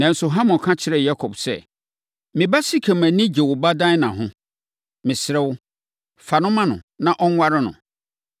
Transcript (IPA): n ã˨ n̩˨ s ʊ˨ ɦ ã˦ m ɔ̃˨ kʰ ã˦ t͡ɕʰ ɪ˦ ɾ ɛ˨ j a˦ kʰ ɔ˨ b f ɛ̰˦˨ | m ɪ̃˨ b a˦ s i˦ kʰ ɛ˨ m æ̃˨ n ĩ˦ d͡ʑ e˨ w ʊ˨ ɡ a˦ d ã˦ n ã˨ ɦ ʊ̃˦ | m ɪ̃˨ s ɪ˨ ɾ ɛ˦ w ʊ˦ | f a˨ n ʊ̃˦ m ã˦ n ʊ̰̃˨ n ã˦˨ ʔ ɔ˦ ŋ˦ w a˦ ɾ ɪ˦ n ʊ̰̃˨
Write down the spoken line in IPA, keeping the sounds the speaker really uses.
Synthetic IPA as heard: n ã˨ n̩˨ s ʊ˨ ɦ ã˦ m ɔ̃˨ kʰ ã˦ t͡ɕʰ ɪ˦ ɾ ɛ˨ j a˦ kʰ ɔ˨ b s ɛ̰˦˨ | m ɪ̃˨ b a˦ s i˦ kʰ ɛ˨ m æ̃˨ n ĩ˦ d͡ʑ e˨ w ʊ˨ b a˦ d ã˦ n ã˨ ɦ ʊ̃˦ | m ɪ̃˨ s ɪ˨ ɾ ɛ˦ w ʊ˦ | f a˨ n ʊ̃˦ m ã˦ n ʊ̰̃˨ n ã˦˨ ʔ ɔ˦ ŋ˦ w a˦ ɾ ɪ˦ n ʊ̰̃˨